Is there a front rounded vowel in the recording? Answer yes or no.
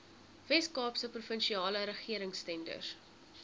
no